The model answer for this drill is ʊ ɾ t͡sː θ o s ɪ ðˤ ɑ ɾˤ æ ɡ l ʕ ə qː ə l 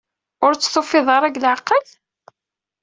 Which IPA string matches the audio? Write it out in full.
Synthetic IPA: ʊ ɾ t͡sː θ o f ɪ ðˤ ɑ ɾˤ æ ɡ l ʕ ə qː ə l